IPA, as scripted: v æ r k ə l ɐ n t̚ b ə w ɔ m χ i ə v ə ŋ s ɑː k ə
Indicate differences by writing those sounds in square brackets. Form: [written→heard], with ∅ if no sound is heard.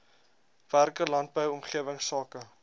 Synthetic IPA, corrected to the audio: v æ r k ə l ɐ n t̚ b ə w ɔ m χ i ə v ə ŋ s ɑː k ə